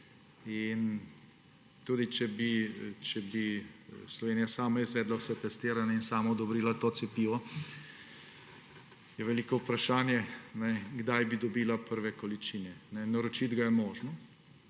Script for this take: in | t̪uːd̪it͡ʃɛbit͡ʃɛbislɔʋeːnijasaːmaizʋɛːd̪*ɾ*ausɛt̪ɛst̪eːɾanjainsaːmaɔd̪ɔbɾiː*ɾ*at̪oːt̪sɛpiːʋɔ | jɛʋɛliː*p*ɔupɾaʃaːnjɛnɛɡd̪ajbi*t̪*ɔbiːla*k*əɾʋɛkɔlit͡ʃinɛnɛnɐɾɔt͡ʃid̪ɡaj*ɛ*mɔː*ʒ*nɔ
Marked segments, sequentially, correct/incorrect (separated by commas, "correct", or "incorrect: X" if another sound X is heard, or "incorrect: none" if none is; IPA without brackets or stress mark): incorrect: l, incorrect: l, incorrect: k, incorrect: d̪, incorrect: p, correct, correct